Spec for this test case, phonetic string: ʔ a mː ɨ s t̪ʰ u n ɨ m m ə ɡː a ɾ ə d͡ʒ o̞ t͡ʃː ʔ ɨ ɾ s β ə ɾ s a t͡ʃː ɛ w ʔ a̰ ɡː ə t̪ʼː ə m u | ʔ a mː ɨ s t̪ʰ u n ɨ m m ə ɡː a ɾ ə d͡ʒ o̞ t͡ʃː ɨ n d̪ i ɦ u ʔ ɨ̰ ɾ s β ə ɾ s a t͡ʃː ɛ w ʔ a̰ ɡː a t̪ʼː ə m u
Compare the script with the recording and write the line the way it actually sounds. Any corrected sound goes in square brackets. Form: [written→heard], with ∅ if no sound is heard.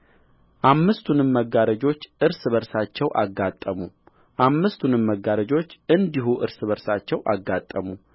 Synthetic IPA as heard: ʔ a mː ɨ s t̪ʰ u n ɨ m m ə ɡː a ɾ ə d͡ʒ o̞ t͡ʃː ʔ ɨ ɾ s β ə ɾ s a t͡ʃː ɛ w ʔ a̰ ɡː [ə→a] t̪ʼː ə m u | ʔ a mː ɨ s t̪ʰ u n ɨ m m ə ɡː a ɾ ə d͡ʒ o̞ t͡ʃː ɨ n d̪ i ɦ u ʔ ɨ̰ ɾ s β ə ɾ s a t͡ʃː ɛ w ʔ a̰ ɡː a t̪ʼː ə m u